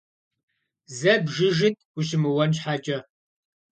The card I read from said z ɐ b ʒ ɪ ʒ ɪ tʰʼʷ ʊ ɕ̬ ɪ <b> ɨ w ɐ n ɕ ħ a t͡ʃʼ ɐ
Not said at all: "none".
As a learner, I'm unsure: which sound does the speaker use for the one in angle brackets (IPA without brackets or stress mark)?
m